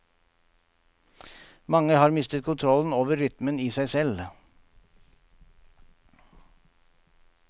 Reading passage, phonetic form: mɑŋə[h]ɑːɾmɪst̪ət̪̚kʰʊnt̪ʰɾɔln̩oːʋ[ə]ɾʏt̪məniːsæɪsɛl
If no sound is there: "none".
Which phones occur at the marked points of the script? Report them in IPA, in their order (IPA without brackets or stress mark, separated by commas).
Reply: h, ə